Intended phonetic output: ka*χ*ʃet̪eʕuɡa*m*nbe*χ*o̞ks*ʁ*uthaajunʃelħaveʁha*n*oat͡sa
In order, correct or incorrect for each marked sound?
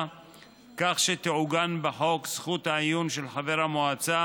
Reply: correct, incorrect, incorrect, incorrect, incorrect

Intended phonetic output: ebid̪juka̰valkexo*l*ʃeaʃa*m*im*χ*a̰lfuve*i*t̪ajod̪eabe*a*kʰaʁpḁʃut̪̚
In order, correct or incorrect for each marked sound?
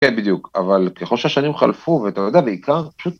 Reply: correct, incorrect, correct, incorrect, incorrect

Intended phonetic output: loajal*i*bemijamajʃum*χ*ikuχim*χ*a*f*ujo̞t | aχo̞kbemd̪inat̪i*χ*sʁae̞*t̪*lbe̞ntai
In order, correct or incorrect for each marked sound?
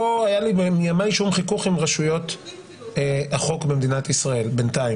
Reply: correct, correct, incorrect, incorrect, incorrect, incorrect

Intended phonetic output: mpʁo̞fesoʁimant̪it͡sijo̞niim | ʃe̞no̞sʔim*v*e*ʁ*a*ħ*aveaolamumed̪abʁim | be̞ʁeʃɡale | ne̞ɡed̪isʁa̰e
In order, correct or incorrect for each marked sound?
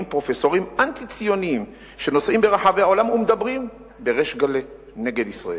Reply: incorrect, correct, correct

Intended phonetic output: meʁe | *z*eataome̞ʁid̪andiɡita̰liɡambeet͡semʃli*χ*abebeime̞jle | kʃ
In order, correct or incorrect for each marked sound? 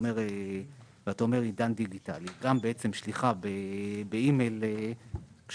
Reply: incorrect, correct

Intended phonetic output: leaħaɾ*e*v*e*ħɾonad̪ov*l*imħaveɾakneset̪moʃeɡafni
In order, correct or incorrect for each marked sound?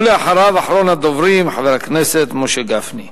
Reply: incorrect, incorrect, incorrect

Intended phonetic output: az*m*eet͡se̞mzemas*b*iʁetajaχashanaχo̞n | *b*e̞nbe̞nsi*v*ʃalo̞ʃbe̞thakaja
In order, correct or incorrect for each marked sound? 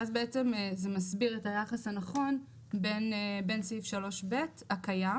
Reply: incorrect, correct, correct, incorrect

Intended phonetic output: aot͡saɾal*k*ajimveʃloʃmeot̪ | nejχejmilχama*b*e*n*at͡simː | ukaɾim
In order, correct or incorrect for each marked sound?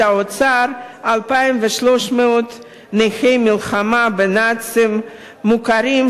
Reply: incorrect, correct, correct

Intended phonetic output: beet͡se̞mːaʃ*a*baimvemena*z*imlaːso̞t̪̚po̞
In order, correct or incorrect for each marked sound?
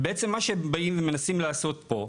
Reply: incorrect, incorrect

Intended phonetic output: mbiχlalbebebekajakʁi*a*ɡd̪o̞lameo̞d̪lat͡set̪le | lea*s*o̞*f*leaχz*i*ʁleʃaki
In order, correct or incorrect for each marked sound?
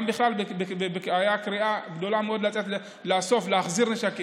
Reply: correct, correct, correct, correct

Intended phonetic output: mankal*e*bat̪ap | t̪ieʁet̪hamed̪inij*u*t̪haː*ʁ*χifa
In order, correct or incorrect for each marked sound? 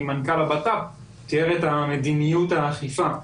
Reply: incorrect, correct, incorrect

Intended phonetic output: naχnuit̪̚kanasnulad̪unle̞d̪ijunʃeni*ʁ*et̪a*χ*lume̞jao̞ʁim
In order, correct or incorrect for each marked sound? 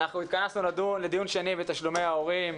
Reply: incorrect, incorrect

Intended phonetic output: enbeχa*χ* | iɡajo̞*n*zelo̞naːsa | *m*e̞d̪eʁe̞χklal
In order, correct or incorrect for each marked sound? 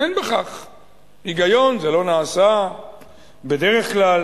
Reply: correct, correct, incorrect

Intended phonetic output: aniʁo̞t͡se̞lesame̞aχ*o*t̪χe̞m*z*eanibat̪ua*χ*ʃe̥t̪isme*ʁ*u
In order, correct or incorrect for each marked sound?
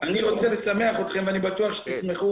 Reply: correct, incorrect, correct, incorrect

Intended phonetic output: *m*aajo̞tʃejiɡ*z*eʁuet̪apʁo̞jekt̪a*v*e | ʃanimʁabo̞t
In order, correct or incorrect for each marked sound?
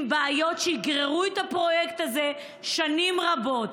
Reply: incorrect, incorrect, incorrect

